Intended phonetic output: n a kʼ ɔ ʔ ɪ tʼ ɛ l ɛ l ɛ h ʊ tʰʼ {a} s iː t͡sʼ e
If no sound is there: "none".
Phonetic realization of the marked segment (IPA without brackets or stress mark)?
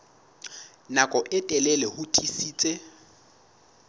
i